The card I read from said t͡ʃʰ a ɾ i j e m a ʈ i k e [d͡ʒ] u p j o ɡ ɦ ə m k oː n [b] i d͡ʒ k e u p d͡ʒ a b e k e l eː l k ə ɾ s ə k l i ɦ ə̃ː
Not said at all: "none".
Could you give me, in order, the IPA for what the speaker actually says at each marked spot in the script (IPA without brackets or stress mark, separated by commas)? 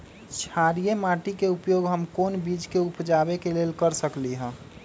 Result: none, b